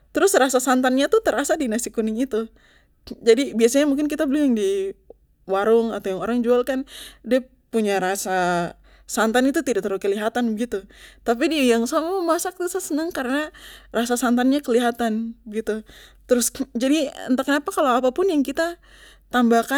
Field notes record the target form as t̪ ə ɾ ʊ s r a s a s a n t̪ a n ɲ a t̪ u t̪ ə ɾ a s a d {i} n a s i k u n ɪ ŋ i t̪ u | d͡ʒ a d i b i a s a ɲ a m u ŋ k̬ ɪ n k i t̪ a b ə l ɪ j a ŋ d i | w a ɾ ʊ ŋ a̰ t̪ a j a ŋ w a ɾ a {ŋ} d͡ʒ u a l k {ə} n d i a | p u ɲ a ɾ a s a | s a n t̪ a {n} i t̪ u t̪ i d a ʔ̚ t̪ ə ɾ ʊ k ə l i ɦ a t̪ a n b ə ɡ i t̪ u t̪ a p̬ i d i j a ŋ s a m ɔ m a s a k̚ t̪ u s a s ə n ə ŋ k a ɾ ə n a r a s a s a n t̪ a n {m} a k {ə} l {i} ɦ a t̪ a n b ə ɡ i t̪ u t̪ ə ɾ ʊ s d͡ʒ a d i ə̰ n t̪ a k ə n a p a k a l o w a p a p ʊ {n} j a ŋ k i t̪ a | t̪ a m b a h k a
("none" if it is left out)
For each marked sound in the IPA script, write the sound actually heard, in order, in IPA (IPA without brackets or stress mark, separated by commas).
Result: i, ŋ, a, n, ɲ, ə, i, n